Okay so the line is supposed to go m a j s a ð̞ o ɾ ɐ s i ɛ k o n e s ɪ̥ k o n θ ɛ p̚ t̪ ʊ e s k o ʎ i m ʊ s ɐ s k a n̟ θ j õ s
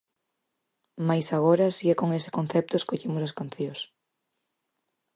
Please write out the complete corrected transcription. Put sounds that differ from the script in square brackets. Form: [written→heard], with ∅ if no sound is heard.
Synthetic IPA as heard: m a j s a [ð̞→ɣ̞] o ɾ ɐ s i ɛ k o [n→ŋ] e s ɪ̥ k o n θ ɛ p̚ t̪ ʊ e s k o ʎ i m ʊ s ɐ s k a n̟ θ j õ s